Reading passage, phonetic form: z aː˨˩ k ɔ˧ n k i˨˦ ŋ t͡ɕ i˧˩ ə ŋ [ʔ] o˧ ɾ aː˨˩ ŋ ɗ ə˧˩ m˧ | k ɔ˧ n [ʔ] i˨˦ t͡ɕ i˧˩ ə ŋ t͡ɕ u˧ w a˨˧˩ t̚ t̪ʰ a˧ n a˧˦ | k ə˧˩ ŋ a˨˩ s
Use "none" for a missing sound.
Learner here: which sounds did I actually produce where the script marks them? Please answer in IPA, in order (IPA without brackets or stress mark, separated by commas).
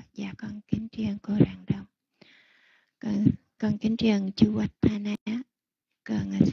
k, k